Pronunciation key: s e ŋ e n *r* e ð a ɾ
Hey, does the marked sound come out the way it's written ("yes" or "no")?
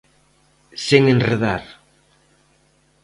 yes